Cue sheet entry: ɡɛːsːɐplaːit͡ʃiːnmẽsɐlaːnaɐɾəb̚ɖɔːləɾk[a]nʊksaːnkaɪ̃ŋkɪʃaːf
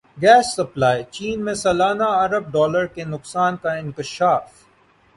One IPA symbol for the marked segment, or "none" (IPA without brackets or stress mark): e